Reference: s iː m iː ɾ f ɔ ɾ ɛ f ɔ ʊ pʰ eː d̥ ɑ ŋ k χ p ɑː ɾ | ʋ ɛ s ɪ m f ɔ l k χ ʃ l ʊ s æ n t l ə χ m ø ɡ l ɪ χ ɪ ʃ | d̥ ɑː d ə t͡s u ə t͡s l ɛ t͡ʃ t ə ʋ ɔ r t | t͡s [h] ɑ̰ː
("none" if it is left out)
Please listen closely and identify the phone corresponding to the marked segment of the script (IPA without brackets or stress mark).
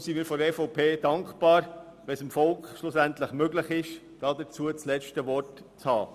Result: h